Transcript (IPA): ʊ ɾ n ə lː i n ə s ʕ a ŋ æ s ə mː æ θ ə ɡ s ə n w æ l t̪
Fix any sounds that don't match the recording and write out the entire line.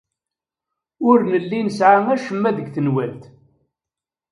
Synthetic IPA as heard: ʊ ɾ n ə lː i n ə s ʕ a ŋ æ ʃ ə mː æ ð ə ɡ θ ə n w æ l t̪